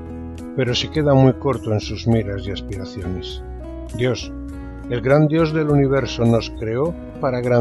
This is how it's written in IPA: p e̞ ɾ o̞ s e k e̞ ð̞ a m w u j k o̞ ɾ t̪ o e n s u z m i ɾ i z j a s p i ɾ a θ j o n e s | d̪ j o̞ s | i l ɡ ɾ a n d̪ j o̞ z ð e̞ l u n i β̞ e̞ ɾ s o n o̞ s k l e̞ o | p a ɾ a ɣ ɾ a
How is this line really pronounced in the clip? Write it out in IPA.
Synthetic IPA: p e̞ ɾ o̞ s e k e̞ ð̞ a m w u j k o̞ ɾ t̪ o e n s u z m i ɾ a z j a s p i ɾ a θ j o n e s | d̪ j o̞ s | e l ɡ ɾ a n d̪ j o̞ z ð e̞ l u n i β̞ e̞ ɾ s o n o̞ s k ɾ e̞ o | p a ɾ a ɣ ɾ a